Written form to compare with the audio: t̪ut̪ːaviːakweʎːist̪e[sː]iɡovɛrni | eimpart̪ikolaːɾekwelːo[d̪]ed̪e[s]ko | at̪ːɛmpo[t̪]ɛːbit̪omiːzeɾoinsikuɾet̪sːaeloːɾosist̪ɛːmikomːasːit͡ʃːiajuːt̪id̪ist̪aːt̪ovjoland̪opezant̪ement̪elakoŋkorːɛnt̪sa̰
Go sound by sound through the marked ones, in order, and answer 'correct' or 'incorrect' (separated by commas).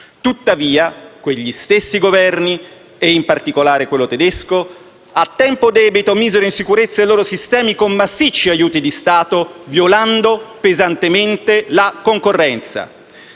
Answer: correct, incorrect, correct, incorrect